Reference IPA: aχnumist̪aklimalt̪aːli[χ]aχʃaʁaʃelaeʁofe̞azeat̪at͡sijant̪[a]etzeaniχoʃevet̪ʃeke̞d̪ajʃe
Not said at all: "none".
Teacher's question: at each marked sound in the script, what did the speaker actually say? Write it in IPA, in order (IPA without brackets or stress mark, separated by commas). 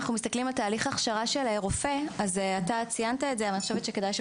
χ, a